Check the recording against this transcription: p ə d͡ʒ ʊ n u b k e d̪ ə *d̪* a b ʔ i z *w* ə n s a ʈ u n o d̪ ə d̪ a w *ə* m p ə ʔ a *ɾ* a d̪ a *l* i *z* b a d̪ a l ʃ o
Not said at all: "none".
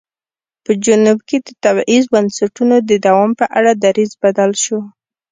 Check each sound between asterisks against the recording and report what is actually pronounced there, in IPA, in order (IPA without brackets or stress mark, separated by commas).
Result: t̪, b, ɑ, ɽ, ɾ, z